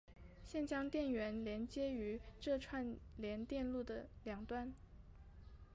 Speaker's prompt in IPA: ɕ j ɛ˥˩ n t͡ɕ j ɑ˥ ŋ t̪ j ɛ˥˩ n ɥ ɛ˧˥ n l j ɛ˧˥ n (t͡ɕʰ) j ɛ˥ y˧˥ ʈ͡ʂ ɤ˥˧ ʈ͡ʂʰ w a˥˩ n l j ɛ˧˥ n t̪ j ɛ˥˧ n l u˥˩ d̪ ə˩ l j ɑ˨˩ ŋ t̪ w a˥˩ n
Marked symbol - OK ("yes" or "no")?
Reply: no